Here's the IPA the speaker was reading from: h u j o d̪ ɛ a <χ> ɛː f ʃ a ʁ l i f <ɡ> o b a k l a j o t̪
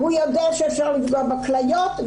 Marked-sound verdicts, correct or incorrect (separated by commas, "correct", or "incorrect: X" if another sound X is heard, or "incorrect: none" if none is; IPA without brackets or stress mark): incorrect: ʃ, correct